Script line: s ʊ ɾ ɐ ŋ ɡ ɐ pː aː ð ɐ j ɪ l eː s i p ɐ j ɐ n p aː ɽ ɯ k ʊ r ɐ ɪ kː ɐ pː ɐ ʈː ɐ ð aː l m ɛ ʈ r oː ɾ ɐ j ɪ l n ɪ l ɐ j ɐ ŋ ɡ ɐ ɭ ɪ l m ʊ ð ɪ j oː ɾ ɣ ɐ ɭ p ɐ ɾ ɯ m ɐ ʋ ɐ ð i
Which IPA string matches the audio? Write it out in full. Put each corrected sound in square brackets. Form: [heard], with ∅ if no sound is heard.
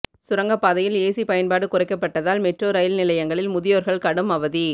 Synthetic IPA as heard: s ʊ ɾ ɐ ŋ ɡ ɐ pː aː ð ɐ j ɪ l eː s i p ɐ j ɐ n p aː ɽ ɯ k ʊ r ɐ ɪ kː ɐ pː ɐ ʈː ɐ ð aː l m ɛ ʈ r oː ɾ ɐ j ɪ l n ɪ l ɐ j ɐ ŋ ɡ ɐ ɭ ɪ l m ʊ ð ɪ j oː ɾ ɣ ɐ ɭ [k] ɐ [ɽ] ɯ m ɐ ʋ ɐ ð i